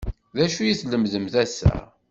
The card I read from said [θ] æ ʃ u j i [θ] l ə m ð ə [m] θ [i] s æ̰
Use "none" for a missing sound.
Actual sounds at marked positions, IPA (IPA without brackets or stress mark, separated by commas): ð, θ, m, æ